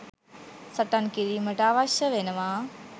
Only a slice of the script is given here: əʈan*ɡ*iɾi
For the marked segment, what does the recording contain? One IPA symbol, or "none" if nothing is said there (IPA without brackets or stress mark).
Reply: k